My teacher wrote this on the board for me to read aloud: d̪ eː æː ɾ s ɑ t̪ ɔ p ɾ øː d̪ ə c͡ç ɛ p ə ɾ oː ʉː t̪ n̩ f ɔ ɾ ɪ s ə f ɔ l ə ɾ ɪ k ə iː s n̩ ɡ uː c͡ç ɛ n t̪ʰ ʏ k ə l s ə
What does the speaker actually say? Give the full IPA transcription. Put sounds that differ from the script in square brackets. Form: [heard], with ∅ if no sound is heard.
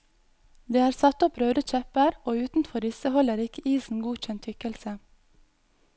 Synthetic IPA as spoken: d̪ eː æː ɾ s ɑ t̪ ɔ p ɾ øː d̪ ə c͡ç ɛ p ə ɾ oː ʉː t̪ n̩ f ɔ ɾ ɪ s ə [h] ɔ l ə ɾ ɪ k ə iː s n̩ ɡ uː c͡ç ɛ n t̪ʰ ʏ k ə l s ə